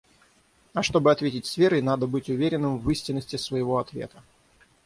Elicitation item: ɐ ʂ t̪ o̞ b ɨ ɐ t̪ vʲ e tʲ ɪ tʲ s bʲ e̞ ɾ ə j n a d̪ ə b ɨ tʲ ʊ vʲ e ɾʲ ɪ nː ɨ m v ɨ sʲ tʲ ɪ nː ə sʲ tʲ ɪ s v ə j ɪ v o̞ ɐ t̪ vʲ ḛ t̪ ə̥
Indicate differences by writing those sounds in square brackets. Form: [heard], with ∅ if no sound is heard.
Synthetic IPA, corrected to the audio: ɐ ʂ t̪ o̞ b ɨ ɐ t̪ vʲ e tʲ ɪ tʲ s [vʲ] e̞ ɾ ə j n a d̪ ə b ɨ tʲ ʊ vʲ e ɾʲ ɪ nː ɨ m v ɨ sʲ tʲ ɪ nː ə sʲ tʲ ɪ s v ə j ɪ v o̞ ɐ t̪ vʲ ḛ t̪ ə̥